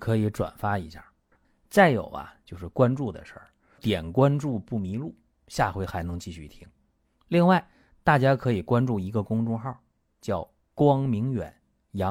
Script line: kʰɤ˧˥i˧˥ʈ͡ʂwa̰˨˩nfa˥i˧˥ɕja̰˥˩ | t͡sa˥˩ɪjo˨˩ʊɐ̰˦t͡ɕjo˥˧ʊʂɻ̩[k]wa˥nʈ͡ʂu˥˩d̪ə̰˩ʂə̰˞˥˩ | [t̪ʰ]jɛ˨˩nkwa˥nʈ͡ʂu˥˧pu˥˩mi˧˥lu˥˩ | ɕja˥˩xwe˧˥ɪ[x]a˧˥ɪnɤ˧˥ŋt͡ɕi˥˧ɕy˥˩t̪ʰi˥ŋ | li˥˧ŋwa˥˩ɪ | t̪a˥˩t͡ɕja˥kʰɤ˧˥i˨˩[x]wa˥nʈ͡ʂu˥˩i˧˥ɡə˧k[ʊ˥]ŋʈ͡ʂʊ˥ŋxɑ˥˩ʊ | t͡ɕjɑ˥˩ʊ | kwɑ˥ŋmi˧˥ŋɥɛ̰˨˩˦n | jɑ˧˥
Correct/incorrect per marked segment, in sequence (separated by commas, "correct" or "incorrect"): correct, incorrect, correct, incorrect, correct